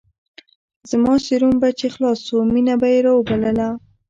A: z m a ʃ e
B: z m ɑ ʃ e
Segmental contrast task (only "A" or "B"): B